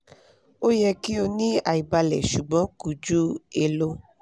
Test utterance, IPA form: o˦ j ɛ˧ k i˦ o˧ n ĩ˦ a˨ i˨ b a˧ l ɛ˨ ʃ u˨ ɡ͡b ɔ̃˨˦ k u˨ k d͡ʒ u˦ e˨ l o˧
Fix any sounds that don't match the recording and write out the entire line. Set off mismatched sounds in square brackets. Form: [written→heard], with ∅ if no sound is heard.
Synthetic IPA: o˦ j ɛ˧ k i˦ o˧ n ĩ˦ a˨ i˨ b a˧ l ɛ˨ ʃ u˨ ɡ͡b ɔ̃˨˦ k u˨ [k→∅] d͡ʒ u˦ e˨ l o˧